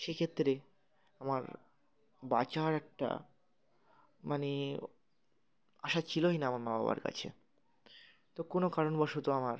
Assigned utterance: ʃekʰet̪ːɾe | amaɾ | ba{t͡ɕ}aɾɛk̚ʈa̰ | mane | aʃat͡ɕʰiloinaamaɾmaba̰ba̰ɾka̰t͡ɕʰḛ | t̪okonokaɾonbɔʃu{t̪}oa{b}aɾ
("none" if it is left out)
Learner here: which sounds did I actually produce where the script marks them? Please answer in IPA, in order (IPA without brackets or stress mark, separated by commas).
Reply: t͡ɕ, t̪, m